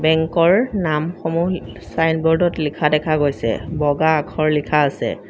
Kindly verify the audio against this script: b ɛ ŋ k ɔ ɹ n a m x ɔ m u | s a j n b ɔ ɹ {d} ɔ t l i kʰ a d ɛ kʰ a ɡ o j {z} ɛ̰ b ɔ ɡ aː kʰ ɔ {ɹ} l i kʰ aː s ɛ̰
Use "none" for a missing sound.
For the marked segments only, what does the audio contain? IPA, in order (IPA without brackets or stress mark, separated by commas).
d, s, ɹ